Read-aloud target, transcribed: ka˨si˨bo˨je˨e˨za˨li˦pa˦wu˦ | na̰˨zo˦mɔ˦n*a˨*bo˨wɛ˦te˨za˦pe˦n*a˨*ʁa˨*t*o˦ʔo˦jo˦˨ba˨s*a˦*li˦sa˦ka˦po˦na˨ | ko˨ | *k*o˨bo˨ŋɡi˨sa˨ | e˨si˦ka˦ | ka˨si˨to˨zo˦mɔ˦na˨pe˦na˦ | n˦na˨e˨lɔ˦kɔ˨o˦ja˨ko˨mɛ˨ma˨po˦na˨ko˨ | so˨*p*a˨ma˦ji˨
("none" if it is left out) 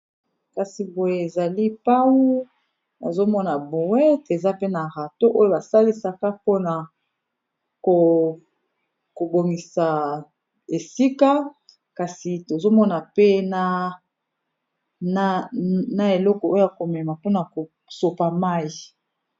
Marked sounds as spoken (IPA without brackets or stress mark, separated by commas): a˨, a˨, t, a˦, k, p